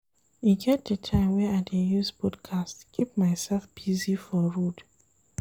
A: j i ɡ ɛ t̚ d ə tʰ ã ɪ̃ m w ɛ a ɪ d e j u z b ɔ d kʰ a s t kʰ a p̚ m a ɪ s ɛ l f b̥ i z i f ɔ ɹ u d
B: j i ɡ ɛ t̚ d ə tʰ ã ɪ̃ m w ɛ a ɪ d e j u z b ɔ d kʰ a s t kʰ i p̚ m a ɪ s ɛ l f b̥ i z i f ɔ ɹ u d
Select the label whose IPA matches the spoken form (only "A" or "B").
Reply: B